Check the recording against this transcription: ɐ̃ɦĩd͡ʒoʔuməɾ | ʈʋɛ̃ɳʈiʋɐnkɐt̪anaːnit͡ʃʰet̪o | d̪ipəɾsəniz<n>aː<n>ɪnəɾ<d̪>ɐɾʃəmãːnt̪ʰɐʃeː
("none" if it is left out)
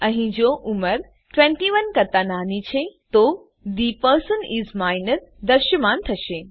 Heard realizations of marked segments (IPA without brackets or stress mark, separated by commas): m, none, d̪